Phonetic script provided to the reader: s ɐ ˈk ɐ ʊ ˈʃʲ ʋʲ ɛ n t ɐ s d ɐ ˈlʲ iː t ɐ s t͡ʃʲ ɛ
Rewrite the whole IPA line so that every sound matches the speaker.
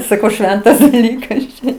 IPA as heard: s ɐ ˈk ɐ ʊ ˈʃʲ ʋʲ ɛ n t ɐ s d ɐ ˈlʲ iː k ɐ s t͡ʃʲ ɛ